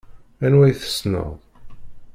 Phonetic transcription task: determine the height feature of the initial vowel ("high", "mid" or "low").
low